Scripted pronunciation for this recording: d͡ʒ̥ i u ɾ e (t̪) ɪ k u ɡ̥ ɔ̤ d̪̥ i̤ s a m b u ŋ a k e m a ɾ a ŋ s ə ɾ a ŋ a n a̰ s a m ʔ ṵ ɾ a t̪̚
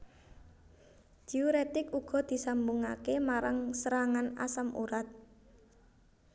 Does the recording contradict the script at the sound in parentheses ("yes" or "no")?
no